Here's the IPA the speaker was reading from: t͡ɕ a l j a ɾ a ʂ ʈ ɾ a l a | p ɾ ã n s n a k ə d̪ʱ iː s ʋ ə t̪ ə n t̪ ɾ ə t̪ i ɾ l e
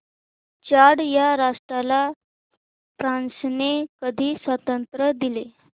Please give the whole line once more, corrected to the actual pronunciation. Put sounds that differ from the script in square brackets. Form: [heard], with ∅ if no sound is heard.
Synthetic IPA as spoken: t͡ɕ a [ɽ] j a ɾ a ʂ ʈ ɾ a l a | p ɾ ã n s n [e] k ə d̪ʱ iː s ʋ ə t̪ ə n t̪ ɾ ə [d̪] i [∅] l e